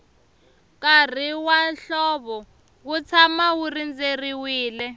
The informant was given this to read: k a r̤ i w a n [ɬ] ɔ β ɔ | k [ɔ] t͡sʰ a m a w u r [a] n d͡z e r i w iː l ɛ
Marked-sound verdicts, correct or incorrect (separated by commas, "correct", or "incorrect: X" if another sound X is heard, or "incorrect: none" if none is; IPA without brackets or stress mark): correct, incorrect: u, incorrect: i